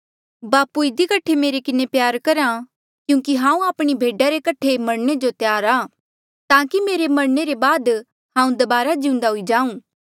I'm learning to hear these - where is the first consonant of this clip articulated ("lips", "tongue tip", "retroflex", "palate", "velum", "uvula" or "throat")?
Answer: lips